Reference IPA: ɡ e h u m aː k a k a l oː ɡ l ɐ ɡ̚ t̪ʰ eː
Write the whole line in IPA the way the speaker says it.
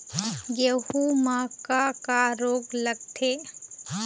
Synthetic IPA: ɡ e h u m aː k a k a ɾ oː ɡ l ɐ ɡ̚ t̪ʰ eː